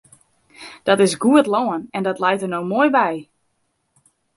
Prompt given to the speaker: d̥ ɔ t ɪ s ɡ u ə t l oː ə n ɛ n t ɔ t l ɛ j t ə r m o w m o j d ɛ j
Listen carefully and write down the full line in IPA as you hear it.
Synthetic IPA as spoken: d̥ ɔ t ɪ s ɡ u ə t l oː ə n ɛ n d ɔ t l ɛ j t ə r n o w m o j b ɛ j